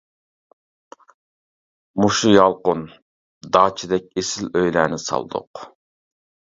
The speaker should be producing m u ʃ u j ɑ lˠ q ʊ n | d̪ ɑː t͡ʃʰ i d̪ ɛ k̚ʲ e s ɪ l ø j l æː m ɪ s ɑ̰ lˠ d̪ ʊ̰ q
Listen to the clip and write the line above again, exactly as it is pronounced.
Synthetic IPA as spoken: m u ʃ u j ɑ lˠ q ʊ n | d̪ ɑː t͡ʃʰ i d̪ ɛ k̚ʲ e s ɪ l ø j l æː n ɪ s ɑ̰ lˠ d̪ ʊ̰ q